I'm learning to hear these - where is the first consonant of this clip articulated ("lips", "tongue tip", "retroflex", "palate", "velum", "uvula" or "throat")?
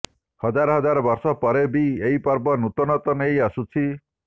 throat